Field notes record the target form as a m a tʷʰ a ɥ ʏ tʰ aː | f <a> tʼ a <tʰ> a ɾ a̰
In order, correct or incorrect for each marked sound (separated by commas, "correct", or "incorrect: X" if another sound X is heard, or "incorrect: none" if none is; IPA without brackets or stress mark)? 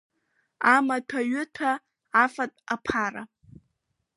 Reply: correct, incorrect: pʰ